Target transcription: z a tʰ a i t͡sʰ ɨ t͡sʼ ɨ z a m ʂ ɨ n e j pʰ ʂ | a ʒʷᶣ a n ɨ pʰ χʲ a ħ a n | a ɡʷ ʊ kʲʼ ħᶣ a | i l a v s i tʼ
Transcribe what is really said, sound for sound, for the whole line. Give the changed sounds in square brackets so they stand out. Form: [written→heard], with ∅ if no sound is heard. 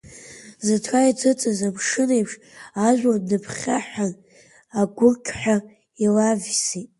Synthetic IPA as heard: z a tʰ a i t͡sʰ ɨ t͡sʼ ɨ z a m ʂ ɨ n e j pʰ ʂ | a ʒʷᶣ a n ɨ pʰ χʲ a ħ a n | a ɡʷ ʊ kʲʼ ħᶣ a | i l a v s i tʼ